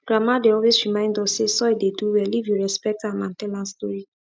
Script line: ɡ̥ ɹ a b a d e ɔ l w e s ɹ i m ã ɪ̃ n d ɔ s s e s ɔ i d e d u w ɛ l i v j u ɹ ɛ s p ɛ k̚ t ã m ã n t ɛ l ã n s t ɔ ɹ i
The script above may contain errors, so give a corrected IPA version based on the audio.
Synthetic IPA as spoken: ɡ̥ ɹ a m a d e ɔ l w e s ɹ i m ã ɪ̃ n d ɔ s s e s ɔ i d e d u w ɛ l i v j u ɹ ɛ s p ɛ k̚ t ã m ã n t ɛ l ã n s t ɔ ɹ i